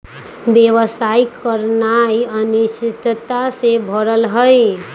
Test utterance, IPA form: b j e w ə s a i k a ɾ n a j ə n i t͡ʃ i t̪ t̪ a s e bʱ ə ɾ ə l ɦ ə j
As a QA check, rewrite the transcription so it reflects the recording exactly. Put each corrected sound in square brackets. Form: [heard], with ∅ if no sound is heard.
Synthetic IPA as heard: b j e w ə s a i k [ə] ɾ n a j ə n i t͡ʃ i t̪ t̪ a s e bʱ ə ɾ ə l ɦ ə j